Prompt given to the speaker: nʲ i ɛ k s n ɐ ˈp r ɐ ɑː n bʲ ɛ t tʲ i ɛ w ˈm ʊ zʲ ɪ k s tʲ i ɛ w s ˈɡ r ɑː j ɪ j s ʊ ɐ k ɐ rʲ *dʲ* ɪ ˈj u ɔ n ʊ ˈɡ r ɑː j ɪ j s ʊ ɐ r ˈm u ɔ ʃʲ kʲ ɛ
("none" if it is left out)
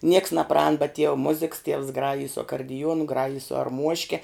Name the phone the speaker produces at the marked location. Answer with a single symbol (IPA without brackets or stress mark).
dʲ